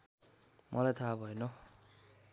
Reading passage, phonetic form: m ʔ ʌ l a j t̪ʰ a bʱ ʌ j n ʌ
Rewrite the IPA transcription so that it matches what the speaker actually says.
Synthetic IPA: m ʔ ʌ l a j t̪ʰ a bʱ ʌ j n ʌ